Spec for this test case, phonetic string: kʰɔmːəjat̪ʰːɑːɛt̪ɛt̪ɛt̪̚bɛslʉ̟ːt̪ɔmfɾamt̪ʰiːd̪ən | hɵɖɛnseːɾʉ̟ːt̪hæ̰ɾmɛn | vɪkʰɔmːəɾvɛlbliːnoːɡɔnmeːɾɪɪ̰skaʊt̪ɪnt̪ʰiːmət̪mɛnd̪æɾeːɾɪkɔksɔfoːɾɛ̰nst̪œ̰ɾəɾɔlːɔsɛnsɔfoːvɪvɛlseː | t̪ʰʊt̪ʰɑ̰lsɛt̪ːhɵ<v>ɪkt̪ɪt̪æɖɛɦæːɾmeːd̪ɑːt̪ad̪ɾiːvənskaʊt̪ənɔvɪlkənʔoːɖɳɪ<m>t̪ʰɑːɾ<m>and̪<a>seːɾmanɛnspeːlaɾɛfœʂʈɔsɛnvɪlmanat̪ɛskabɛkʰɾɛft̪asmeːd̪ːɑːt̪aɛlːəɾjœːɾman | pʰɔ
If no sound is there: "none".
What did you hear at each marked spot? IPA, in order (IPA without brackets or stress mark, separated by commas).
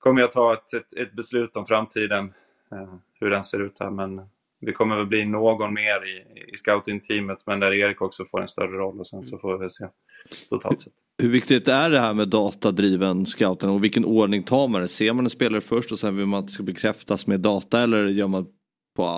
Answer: v, ŋ, m, ɛ